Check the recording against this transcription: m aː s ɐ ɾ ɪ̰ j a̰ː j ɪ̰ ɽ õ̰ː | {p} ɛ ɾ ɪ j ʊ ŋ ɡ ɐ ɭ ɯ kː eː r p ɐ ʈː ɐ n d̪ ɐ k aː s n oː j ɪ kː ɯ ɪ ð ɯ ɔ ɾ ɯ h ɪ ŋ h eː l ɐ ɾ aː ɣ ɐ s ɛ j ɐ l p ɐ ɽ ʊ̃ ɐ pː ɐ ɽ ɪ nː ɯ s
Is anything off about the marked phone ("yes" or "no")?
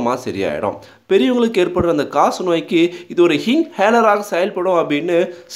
no